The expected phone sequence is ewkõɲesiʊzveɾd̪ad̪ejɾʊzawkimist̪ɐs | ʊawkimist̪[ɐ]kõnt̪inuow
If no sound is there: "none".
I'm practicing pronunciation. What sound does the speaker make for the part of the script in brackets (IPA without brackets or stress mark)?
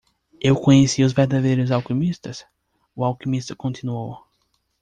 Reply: ɐ